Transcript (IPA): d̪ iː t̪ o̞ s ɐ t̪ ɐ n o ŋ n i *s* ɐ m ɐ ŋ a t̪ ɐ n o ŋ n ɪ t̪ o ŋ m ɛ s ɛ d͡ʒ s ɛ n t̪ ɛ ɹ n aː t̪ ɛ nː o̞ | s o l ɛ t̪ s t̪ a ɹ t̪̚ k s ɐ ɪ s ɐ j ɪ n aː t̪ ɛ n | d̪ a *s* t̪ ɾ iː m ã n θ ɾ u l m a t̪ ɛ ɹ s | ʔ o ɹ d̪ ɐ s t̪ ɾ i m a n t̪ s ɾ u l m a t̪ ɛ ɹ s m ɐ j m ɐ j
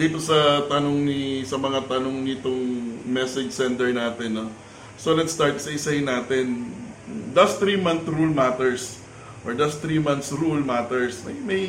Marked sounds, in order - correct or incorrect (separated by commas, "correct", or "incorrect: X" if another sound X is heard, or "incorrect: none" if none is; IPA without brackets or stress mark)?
correct, correct